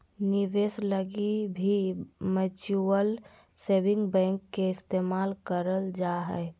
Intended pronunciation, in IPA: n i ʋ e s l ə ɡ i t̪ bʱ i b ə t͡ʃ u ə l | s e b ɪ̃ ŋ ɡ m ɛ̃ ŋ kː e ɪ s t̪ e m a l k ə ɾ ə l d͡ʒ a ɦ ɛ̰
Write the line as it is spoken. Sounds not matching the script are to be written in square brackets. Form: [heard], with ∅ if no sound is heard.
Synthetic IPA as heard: n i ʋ e s l ə ɡ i [∅] bʱ i [m] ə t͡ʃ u ə l | s e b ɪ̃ ŋ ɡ [b] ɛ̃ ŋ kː e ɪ s t̪ e m a l k ə ɾ ə l d͡ʒ a ɦ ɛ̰